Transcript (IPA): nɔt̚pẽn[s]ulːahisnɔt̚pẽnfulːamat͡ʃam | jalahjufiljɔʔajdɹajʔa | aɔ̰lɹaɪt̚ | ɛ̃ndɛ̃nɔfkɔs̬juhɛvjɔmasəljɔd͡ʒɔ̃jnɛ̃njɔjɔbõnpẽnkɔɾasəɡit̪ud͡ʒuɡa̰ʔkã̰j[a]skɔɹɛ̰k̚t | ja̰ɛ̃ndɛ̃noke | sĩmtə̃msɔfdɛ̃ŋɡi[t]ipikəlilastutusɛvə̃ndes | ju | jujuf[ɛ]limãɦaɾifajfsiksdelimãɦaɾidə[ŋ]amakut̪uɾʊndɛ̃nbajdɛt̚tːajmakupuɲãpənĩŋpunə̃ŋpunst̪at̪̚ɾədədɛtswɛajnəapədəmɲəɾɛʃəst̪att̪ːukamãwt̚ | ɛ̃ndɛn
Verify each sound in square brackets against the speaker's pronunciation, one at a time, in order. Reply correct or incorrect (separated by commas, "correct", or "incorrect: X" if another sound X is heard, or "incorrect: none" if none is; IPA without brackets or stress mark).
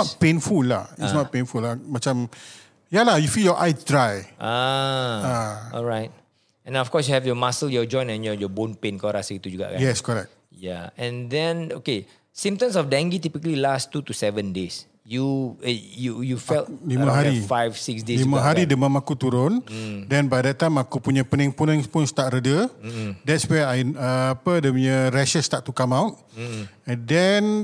incorrect: f, incorrect: ɛ, correct, correct, incorrect: m